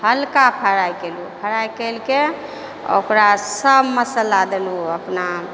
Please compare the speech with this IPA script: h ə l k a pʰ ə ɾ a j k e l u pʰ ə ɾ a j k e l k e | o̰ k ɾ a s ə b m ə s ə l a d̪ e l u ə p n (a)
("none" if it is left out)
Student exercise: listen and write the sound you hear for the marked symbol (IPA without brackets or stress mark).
a